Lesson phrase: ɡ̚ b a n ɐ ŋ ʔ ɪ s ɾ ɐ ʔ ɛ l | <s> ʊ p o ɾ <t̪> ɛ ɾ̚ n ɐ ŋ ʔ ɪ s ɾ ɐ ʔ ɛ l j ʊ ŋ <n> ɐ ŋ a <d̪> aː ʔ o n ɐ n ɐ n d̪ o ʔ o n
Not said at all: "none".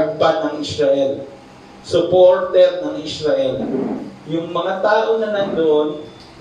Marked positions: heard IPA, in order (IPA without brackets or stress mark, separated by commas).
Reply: s, t̪, m, t̪